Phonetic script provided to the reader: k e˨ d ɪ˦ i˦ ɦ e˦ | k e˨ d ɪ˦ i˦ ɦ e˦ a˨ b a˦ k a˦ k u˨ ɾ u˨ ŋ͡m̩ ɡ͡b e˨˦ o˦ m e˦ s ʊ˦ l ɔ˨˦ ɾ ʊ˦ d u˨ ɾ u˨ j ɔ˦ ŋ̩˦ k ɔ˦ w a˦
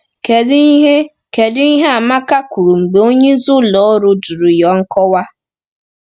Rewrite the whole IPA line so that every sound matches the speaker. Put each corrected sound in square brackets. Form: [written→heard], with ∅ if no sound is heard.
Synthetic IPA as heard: k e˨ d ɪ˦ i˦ ɦ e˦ | k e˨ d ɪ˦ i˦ ɦ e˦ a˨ [b→m] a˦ k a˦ k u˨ ɾ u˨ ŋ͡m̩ ɡ͡b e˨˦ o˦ [m→ɲ] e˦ [s→z] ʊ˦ l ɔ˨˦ ɾ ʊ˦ d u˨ ɾ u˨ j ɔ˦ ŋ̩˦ k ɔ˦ w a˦